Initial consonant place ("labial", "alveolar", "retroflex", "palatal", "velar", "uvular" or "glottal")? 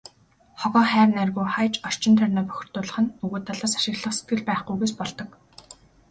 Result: uvular